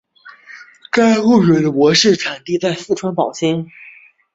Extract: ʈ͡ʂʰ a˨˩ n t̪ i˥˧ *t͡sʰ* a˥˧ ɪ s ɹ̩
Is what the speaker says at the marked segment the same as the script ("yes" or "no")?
no